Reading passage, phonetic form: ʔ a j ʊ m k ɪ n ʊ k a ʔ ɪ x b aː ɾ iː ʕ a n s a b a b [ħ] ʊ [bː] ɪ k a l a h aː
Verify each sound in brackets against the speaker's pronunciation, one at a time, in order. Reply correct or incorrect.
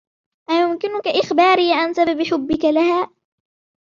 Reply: correct, correct

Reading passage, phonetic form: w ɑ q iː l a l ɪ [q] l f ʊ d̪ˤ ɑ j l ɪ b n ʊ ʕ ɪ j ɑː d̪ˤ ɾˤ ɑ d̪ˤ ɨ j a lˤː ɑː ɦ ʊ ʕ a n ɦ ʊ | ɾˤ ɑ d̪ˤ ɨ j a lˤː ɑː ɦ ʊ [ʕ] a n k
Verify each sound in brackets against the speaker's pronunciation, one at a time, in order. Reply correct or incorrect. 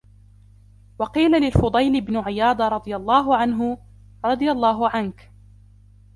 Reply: incorrect, correct

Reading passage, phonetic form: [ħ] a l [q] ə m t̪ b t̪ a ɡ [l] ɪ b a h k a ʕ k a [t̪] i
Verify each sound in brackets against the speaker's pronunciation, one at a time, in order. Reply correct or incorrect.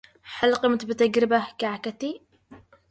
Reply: correct, correct, incorrect, correct

